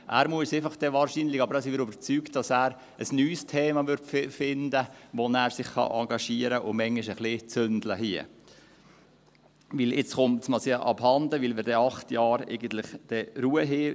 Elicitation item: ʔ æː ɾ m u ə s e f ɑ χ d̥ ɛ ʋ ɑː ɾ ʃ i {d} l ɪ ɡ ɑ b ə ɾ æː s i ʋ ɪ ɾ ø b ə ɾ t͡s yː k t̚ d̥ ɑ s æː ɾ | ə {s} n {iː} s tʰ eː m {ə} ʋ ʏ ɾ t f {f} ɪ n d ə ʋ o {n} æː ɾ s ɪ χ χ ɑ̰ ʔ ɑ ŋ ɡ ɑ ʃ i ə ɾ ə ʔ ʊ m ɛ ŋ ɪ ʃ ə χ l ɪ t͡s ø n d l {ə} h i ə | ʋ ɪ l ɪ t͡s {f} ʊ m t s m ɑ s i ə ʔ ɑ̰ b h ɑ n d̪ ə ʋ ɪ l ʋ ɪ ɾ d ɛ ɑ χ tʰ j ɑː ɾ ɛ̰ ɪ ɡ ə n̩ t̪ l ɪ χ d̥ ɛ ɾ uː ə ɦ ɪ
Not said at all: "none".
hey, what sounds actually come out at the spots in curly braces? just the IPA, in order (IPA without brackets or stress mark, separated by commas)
n, s, yː, ɑ, f, n, ə, χ